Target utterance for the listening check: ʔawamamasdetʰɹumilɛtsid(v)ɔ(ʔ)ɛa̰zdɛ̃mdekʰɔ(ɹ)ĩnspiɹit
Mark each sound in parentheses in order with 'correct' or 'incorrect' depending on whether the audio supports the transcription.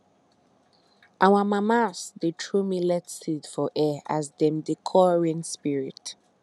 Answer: incorrect: f, correct, correct

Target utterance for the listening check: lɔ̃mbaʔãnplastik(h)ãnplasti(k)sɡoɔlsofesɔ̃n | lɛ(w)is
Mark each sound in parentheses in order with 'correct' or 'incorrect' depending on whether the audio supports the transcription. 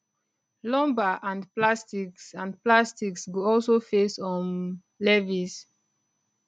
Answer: incorrect: s, correct, incorrect: v

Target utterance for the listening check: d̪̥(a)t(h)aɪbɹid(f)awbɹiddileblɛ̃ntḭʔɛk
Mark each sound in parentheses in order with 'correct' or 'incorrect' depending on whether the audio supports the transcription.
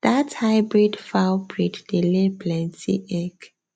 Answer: correct, correct, correct

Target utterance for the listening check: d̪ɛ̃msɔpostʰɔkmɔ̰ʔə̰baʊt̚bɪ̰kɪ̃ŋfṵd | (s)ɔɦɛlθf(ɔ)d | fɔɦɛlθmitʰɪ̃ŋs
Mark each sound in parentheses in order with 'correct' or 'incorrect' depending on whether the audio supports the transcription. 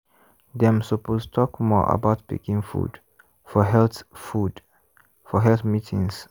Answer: incorrect: f, incorrect: u

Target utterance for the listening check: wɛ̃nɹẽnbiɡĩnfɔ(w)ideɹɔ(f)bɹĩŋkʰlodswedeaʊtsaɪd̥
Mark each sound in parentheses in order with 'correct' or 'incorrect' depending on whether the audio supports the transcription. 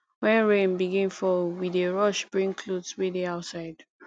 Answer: correct, incorrect: ʃ

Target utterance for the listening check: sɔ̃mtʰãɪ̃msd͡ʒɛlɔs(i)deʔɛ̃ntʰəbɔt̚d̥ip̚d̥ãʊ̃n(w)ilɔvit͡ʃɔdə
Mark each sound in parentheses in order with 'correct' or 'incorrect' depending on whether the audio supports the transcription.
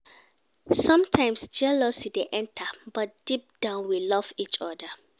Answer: correct, correct

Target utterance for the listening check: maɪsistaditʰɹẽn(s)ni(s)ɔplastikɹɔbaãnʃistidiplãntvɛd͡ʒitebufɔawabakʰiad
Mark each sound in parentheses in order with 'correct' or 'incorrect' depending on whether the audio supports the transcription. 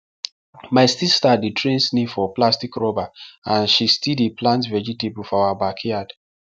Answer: correct, incorrect: f

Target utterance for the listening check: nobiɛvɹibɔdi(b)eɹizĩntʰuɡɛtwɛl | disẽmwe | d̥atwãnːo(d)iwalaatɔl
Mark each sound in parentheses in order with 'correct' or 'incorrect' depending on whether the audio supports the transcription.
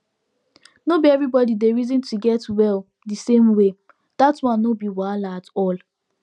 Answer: incorrect: d, incorrect: b

